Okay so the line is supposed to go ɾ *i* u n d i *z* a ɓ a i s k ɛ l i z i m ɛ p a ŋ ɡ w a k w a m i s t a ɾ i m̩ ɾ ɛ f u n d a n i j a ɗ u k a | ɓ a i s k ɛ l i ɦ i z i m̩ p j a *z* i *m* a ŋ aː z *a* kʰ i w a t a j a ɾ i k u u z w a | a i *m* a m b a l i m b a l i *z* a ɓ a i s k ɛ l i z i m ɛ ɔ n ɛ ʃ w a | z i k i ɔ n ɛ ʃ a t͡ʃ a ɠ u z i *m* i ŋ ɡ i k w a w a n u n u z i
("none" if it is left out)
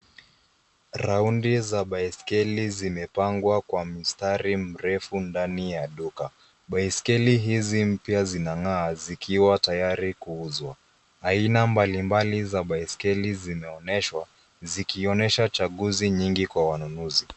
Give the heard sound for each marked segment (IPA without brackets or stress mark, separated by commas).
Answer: a, z, z, n, i, n, z, ɲ